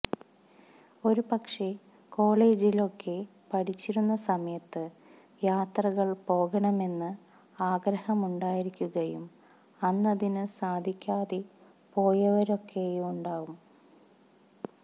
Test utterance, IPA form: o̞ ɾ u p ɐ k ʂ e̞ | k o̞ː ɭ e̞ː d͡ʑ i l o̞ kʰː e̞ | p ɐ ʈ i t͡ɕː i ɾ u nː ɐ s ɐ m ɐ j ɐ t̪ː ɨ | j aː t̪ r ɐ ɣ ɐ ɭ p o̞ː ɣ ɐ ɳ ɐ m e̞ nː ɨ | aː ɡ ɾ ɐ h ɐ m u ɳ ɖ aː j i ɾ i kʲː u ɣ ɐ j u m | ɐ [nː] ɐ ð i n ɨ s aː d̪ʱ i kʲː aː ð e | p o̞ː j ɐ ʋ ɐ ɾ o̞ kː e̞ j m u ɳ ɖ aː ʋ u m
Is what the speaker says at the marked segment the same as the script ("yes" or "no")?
yes